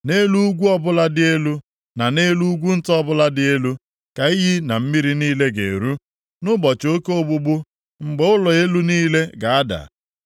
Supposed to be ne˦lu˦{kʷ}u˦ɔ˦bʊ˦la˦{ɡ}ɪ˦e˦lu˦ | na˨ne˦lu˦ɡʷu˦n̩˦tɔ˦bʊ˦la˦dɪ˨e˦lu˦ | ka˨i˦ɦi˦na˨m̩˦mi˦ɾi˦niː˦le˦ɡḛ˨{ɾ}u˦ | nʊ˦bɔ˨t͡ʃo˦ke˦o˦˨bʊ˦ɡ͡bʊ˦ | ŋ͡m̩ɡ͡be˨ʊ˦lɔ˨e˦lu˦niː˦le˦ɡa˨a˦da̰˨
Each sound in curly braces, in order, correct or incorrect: incorrect: ɡʷ, incorrect: d, correct

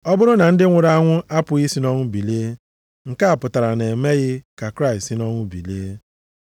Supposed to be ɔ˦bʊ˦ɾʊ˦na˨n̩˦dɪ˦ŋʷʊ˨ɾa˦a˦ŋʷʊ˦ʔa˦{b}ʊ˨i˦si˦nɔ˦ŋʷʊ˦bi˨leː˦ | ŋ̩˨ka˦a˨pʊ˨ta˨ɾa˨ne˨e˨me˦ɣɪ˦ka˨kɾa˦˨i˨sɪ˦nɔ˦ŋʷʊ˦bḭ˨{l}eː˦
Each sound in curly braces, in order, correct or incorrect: incorrect: p, correct

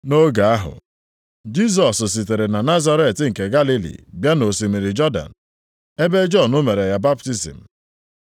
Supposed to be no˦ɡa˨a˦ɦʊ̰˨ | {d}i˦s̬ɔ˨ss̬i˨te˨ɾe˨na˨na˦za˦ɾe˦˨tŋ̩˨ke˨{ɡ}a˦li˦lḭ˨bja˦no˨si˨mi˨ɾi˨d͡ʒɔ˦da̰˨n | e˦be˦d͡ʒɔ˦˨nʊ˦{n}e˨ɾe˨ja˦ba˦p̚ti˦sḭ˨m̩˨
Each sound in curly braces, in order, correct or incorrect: incorrect: d͡ʒ, correct, incorrect: m

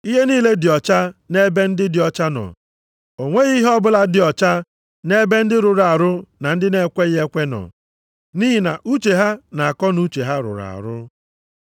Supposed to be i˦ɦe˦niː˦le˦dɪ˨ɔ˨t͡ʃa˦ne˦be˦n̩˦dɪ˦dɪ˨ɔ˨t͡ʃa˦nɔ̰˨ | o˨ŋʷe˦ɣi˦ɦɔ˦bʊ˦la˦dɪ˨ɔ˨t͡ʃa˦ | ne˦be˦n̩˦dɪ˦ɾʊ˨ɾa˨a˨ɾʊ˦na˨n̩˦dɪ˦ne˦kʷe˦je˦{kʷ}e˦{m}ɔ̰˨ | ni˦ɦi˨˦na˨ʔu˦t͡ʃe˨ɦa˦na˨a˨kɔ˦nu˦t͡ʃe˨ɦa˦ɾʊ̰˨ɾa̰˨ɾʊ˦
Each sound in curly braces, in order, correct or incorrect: correct, incorrect: n

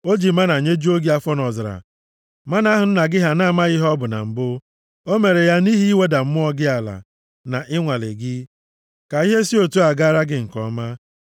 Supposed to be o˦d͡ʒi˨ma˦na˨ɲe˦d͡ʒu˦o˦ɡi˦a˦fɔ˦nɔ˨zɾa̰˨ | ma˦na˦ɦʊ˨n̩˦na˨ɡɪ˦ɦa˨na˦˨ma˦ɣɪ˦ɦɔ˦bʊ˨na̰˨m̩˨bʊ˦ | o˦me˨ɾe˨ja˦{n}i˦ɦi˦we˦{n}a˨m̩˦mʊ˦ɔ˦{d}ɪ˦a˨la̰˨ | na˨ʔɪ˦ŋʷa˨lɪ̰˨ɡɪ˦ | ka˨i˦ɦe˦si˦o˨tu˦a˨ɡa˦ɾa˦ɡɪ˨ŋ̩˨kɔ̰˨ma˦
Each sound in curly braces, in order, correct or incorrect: correct, incorrect: d, incorrect: ɡ

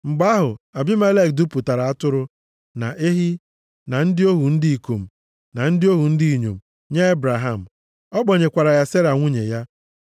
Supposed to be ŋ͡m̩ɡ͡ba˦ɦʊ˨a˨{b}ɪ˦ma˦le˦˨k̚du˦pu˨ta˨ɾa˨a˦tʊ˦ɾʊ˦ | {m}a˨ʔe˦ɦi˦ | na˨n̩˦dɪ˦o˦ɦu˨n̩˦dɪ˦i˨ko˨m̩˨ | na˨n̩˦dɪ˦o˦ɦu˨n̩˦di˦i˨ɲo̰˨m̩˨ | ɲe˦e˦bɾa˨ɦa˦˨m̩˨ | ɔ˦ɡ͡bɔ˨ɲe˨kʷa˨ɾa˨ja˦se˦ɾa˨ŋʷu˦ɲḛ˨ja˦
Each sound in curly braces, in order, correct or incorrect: correct, incorrect: n

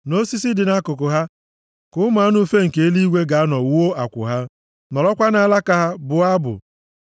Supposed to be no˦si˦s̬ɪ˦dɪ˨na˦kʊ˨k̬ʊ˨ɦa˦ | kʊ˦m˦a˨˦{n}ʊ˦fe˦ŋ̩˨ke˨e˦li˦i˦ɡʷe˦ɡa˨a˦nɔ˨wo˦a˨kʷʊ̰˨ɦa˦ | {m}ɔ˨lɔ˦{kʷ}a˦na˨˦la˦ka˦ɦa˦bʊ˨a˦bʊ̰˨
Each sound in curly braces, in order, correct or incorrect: correct, incorrect: n, correct

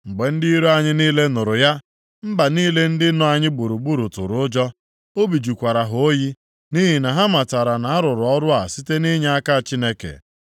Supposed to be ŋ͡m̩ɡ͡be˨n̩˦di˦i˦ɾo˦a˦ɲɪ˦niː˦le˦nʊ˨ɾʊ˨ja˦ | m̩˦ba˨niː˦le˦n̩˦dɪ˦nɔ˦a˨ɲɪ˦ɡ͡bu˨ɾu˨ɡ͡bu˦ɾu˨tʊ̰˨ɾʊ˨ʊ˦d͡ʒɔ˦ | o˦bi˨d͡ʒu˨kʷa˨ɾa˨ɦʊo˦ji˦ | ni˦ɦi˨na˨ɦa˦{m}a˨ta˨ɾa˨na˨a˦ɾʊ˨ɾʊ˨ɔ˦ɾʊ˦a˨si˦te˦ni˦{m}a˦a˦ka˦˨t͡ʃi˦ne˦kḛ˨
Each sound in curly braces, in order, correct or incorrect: correct, incorrect: ɲ

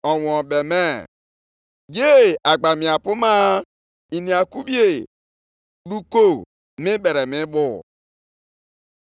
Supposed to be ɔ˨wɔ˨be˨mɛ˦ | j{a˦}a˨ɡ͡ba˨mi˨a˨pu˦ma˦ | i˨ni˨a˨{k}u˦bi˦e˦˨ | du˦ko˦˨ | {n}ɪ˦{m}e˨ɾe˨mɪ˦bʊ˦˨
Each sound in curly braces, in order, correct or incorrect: incorrect: e˦, correct, incorrect: m, incorrect: b

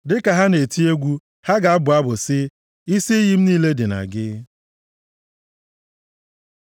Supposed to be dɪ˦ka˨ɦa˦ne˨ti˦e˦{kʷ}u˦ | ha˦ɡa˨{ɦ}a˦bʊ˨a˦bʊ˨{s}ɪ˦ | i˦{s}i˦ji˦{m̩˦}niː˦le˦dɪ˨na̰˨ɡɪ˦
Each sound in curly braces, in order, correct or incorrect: incorrect: ɡʷ, incorrect: none, correct, correct, correct

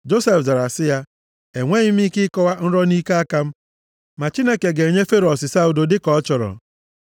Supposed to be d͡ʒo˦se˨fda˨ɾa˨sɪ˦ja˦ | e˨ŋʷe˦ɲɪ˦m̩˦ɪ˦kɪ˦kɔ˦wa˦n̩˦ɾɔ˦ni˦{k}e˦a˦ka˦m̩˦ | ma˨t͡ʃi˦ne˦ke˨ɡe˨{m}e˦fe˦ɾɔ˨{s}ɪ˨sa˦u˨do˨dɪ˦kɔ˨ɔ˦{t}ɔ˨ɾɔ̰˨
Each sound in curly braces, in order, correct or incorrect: correct, incorrect: ɲ, correct, incorrect: t͡ʃ

